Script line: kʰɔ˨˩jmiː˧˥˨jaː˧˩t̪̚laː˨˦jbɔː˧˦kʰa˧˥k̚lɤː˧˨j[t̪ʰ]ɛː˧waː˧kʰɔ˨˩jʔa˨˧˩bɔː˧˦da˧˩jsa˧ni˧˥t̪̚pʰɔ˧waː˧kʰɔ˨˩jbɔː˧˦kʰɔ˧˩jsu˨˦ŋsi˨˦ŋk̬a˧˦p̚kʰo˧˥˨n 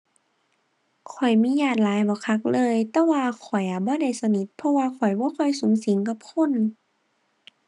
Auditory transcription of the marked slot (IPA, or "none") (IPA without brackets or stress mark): t̪